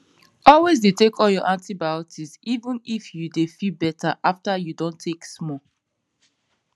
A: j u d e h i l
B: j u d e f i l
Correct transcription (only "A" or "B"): B